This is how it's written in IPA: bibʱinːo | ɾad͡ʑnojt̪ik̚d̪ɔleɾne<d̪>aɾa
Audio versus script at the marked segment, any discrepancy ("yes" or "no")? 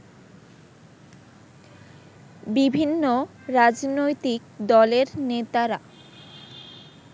yes